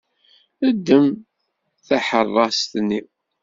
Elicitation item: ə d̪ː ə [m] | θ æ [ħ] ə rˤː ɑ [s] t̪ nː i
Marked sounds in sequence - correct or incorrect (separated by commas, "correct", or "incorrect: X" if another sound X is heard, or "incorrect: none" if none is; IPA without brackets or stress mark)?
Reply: correct, correct, correct